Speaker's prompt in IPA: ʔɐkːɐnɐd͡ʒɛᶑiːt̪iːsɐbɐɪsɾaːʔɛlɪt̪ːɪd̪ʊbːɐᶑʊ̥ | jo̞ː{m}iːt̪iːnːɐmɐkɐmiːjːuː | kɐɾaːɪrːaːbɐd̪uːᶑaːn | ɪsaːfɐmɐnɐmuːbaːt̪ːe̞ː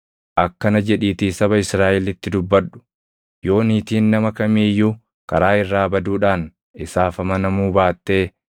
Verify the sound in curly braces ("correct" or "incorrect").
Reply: incorrect